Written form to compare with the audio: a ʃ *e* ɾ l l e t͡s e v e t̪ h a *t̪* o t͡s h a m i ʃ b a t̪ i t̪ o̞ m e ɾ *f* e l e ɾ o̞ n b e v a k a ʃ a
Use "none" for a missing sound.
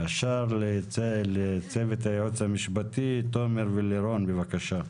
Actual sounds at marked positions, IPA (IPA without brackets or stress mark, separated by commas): a, none, v